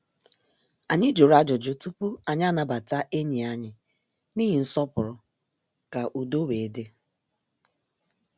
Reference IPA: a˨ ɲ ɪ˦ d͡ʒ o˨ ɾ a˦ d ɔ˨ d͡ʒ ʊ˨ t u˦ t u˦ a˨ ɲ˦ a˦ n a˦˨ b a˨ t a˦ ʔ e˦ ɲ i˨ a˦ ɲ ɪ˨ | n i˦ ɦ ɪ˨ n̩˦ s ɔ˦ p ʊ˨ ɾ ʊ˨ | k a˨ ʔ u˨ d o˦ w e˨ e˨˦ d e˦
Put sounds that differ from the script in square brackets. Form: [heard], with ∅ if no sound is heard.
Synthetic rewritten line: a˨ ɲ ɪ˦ d͡ʒ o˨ ɾ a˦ [d͡ʒ] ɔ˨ d͡ʒ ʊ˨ t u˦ [p] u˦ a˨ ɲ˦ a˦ n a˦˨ b a˨ t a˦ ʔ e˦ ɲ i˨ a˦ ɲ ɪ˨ | n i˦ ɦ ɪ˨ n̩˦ s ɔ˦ p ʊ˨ ɾ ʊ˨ | k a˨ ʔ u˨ d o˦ w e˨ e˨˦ d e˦